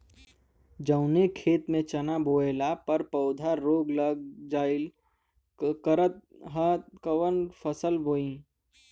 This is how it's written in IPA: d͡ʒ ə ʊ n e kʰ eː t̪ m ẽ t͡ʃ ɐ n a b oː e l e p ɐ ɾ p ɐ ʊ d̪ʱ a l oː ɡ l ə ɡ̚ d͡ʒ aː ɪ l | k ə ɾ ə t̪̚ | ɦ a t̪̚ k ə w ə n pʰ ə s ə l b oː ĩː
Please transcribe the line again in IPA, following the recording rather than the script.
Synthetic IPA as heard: d͡ʒ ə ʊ n e kʰ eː t̪ m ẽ t͡ʃ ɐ n a b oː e l a p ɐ ɾ p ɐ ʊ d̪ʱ a ɾ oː ɡ l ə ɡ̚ d͡ʒ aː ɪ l | k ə ɾ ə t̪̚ | ɦ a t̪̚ k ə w ə n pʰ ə s ə l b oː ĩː